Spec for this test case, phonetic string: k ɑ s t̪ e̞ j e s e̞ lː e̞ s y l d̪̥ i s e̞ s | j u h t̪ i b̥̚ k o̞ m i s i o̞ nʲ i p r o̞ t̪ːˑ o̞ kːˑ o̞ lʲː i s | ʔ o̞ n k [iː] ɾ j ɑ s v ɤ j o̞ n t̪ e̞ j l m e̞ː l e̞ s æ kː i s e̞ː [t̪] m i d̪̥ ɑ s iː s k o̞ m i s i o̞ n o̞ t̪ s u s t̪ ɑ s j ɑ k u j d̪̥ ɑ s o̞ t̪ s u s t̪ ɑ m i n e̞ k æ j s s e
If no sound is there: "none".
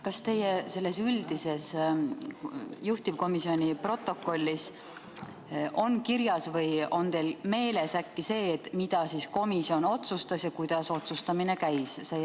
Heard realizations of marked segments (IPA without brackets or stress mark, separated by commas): i, t̪